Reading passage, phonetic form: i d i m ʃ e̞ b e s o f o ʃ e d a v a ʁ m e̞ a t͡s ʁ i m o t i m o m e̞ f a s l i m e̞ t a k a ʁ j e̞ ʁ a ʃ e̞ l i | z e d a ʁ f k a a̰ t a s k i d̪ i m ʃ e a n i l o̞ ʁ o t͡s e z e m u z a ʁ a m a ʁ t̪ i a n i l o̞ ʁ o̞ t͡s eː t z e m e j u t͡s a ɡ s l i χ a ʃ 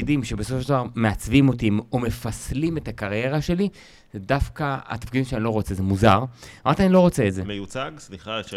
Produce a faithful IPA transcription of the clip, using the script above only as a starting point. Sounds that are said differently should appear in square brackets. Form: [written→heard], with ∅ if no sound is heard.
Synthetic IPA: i d i m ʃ e̞ b e s o f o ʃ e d a v a ʁ m e̞ a t͡s [ʁ→v] i m o t i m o m e̞ f a s l i m e̞ t a k a ʁ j e̞ ʁ a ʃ e̞ l i | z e d a [ʁ→∅] f k a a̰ t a [s→f] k i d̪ i m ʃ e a n i l o̞ ʁ o t͡s e z e m u z a ʁ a m a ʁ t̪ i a n i l o̞ ʁ o̞ t͡s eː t z e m e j u t͡s a ɡ s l i χ a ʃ